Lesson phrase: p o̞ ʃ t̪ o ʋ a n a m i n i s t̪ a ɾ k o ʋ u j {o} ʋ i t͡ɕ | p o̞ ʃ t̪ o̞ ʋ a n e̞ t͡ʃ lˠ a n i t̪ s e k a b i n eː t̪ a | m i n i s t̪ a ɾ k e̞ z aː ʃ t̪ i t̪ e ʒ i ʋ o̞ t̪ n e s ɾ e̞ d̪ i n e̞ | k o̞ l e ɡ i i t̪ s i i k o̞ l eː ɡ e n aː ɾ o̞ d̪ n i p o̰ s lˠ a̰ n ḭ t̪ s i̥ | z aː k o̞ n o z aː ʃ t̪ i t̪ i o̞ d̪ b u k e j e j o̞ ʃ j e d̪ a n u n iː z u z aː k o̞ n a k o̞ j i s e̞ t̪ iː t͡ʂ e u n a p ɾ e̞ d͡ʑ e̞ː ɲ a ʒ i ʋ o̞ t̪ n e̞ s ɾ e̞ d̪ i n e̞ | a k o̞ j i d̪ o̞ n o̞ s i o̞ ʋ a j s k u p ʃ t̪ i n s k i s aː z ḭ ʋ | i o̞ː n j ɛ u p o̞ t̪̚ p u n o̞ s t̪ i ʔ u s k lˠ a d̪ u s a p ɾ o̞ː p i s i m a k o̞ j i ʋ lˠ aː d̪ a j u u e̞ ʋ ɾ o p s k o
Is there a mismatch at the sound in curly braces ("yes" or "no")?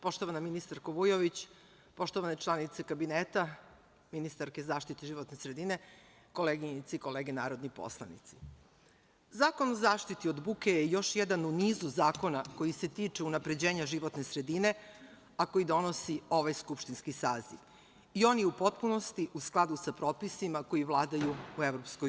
no